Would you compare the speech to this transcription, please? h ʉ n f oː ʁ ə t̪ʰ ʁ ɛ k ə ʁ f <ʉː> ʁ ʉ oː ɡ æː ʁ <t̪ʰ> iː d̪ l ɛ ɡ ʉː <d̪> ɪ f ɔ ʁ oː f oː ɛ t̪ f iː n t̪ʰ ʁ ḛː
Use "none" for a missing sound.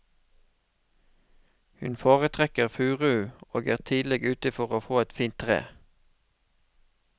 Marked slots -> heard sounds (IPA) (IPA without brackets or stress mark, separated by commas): ʉː, t̪ʰ, t̪